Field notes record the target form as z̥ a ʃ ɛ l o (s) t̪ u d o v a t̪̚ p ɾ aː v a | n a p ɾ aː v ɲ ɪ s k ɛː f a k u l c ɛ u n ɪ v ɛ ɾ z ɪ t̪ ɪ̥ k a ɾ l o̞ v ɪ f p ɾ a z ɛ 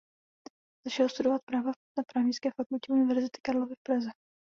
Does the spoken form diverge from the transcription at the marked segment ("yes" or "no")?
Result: no